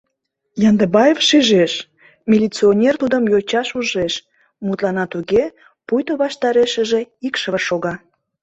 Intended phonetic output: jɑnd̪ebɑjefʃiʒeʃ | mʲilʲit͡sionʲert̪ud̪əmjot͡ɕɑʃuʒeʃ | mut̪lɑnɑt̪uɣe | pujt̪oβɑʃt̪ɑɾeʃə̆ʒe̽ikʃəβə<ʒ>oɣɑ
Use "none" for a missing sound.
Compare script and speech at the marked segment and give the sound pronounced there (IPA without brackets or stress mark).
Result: ʃ